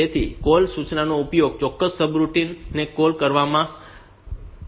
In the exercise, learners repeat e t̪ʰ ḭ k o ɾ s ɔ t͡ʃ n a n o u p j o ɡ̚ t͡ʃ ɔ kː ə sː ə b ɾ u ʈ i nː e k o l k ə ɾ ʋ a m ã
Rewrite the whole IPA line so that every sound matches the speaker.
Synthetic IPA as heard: e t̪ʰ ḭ k o l s u t͡ʃ n a n o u p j o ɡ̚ t͡ʃ ɔ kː ə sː ə b ɾ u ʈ i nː e k o l k ə ɾ ʋ a m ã

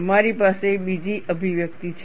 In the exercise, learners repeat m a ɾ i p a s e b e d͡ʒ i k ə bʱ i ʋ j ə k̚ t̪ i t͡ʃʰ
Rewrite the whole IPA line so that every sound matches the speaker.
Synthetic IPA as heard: m a ɾ i p a s e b i d͡ʒ i ʔ ə bʱ i ʋ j ə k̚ t̪ i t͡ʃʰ

